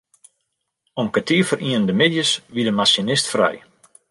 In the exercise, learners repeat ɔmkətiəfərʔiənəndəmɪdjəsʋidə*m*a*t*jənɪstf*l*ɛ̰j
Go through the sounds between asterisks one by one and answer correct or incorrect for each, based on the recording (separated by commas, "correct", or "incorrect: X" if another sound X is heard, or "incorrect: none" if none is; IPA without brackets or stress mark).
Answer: correct, incorrect: s, incorrect: r